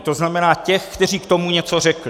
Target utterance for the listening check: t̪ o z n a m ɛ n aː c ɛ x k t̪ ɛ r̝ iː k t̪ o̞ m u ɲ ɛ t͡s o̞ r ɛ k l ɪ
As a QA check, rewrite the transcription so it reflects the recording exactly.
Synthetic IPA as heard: t̪ o z n a m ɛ n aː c ɛ x k t̪ ɛ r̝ iː k t̪ o̞ m u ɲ ɛ t͡s o̞ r ɛ k l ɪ

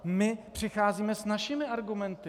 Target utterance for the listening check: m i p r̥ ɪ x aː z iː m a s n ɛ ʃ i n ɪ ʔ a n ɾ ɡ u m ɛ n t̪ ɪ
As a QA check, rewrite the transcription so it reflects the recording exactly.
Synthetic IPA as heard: m ɪ p r̥ ɪ x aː z iː m ɛ s n a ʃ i m ɪ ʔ a ɾ ɡ u m ɛ n t̪ ɪ

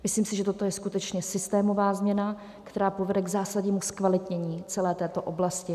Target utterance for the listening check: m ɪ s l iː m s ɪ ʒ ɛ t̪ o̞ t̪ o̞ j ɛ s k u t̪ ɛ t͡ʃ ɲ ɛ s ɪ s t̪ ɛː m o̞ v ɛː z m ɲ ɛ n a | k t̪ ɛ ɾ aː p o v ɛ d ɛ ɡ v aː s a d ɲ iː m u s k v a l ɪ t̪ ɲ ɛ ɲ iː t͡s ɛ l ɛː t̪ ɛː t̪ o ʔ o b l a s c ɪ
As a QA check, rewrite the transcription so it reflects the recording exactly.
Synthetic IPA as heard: m ɪ s l iː m s ɪ ʒ ɛ t̪ o̞ t̪ o̞ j ɛ s k u t̪ ɛ t͡ʃ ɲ ɛ s ɪ s t̪ ɛː m o̞ v aː z m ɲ ɛ n a | k t̪ ɛ ɾ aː p o v ɛ d ɛ ɡ z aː s a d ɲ iː m u s k v a l ɪ t̪ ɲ ɛ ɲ iː t͡s ɛ l ɛː t̪ ɛː t̪ o ʔ o b l a s c ɪ

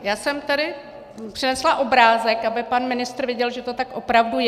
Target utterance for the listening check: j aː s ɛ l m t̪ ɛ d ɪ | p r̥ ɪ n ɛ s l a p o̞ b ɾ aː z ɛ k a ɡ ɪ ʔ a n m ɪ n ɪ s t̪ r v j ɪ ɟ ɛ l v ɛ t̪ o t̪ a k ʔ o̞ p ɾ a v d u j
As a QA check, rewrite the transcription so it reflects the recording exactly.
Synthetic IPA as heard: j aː s ɛ m t̪ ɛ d ɪ | p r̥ ɪ n ɛ s l a ʔ o̞ b ɾ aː z ɛ k a b ɪ p a n m ɪ n ɪ s t̪ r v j ɪ ɟ ɛ l ʒ ɛ t̪ o t̪ a k ʔ o̞ p ɾ a v d u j

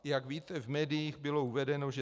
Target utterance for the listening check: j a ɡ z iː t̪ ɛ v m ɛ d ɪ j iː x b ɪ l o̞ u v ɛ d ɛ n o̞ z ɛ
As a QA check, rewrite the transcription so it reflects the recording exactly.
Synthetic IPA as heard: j a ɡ v iː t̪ ɛ v m ɛː d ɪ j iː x b ɪ l o̞ u v ɛ d ɛ n o̞ ʒ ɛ

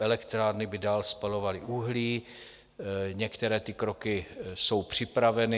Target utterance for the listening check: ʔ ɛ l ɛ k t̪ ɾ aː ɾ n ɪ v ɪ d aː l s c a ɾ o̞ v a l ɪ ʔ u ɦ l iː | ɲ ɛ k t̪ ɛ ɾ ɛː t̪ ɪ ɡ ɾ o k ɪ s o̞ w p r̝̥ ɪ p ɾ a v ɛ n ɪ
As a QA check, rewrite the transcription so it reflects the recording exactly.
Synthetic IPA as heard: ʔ ɛ l ɛ k t̪ ɾ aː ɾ n ɪ b ɪ d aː l s p a l o̞ v a l ɪ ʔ u ɦ l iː | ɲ ɛ k t̪ ɛ ɾ ɛː t̪ ɪ k ɾ o k ɪ s o̞ w p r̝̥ ɪ p ɾ a v ɛ n ɪ

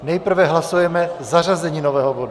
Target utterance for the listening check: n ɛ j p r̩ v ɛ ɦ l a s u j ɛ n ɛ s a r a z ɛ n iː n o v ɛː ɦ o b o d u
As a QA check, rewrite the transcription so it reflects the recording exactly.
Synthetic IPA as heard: n ɛ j p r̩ v ɛ ɦ l a s u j ɛ m ɛ z a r a z ɛ ɲ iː n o v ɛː ɦ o b o d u

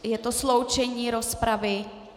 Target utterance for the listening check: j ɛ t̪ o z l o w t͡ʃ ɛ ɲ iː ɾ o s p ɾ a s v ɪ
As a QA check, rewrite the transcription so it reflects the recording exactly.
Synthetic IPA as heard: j ɛ t̪ o s l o w t͡ʃ ɛ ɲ iː ɾ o s p ɾ a v ɪ

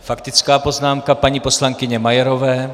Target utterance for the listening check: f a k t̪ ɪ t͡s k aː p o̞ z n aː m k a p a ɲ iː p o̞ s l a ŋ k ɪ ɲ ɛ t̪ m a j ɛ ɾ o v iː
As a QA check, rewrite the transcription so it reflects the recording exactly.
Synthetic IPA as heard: f a k t̪ ɪ t͡s k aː p o̞ z n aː m k a p a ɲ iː p o̞ s l a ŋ k ɪ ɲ ɛ m a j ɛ ɾ o v ɛː

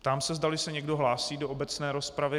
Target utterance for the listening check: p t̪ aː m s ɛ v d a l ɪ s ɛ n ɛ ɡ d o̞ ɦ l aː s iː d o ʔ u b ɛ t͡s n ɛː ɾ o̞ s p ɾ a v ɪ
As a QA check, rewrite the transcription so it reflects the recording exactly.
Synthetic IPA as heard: p t̪ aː m s ɛ z d a l ɪ s ɛ ɲ ɛ ɡ d o̞ ɦ l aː s iː d o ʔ o b ɛ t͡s n ɛː ɾ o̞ s p ɾ a v ɪ

